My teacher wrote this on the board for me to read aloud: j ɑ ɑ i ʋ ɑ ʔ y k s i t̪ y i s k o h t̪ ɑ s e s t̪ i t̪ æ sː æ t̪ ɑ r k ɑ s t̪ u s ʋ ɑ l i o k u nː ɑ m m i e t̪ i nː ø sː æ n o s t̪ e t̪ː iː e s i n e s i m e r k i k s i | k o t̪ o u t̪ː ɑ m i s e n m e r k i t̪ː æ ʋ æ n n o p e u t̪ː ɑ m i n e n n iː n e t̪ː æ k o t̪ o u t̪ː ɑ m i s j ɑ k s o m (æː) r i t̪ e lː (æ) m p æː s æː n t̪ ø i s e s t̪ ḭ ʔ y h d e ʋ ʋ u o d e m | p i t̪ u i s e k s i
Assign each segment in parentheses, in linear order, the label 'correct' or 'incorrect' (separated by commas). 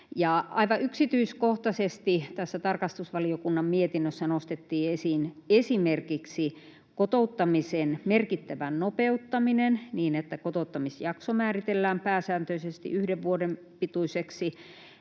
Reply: correct, incorrect